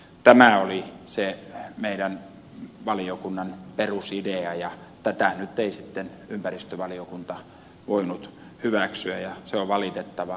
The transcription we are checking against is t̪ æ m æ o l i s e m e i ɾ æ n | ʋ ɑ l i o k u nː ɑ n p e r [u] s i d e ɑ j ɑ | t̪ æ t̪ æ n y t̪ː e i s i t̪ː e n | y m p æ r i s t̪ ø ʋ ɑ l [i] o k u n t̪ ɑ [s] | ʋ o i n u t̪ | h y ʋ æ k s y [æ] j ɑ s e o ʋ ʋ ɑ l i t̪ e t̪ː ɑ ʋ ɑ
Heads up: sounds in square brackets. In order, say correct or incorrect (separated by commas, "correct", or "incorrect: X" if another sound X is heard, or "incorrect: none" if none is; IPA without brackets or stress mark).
correct, correct, incorrect: none, correct